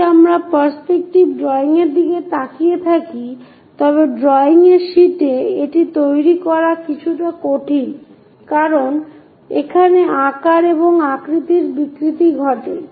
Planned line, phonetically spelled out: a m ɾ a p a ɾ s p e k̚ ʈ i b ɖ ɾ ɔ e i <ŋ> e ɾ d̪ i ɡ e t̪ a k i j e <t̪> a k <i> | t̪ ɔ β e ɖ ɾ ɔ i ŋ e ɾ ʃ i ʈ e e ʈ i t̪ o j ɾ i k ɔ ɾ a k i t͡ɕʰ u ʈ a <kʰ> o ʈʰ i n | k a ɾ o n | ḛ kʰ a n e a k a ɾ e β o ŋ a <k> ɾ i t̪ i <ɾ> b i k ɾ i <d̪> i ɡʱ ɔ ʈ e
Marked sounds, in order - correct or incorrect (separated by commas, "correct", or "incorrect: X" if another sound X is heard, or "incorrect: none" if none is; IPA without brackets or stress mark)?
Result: correct, incorrect: t̪ʰ, correct, incorrect: k, correct, correct, incorrect: t̪